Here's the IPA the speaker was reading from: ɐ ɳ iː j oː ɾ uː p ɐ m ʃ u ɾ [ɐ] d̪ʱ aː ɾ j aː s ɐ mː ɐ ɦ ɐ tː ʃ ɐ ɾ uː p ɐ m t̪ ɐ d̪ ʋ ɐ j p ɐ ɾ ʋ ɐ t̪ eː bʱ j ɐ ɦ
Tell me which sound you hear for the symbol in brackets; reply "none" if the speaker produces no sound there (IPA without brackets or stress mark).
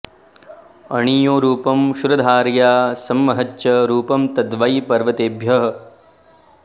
ɐ